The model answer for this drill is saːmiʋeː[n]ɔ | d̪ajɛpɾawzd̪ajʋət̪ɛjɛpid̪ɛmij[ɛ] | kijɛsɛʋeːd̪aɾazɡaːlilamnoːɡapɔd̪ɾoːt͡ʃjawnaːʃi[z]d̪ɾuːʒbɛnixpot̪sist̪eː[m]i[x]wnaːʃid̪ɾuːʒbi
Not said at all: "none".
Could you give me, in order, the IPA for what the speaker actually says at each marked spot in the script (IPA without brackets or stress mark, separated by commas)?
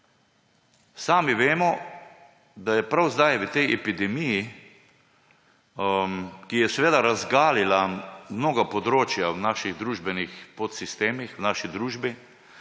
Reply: m, i, ɣ, m, x